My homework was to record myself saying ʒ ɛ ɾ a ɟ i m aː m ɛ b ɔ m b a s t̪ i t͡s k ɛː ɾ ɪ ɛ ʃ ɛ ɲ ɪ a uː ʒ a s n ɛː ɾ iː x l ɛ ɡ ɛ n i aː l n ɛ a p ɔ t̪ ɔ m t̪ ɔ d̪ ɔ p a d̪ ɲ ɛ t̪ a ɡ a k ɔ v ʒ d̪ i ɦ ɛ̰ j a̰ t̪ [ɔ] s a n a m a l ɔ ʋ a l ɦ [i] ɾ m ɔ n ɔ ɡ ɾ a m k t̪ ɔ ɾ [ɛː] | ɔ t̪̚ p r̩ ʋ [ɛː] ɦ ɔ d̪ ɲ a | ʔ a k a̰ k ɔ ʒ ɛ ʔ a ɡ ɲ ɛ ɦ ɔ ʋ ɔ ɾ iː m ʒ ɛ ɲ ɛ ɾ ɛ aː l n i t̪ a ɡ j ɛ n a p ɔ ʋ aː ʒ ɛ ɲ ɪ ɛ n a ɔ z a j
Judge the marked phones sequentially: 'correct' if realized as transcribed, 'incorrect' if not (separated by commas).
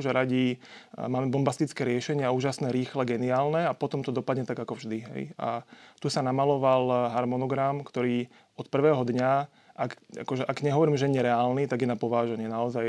incorrect, incorrect, incorrect, correct